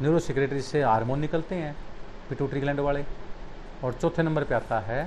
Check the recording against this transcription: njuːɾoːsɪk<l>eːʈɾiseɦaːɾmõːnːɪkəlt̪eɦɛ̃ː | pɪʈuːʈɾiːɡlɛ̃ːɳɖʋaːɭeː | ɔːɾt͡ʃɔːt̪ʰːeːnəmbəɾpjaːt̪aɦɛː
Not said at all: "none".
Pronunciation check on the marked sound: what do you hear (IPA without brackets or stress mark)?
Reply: ɾ